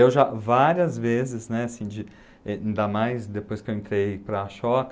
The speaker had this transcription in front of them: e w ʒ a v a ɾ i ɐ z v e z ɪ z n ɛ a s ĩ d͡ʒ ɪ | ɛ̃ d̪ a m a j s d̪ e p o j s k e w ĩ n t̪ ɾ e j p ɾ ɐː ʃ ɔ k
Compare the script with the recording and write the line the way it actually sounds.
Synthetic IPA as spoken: e w ʒ a v a ɾ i ɐ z v e z ɪ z n ɛ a s ĩ d͡ʒ ɪ | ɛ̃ d̪ a m a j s d̪ e p o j s k e w ẽ n t̪ ɾ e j p ɾ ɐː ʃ ɔ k